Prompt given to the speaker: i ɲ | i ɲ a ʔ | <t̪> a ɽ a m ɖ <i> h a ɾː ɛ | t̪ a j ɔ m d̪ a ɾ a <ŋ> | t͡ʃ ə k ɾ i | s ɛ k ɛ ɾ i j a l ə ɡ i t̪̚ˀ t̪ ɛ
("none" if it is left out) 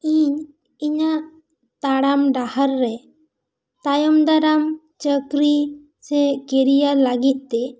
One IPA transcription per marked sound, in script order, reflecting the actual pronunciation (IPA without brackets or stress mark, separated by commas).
t̪, a, m